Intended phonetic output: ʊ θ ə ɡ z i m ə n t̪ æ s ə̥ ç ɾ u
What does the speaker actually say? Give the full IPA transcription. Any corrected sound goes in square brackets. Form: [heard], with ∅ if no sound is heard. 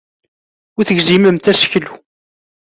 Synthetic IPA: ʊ θ ə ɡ z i m ə [m] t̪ æ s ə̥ ç [l] u